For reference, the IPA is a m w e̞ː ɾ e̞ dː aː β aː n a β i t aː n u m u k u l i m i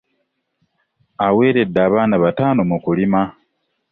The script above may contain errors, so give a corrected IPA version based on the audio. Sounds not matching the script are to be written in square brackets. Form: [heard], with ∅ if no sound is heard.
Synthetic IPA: a [∅] w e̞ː ɾ e̞ dː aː β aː n a β [a] t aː n [o] m u k u l i m [a]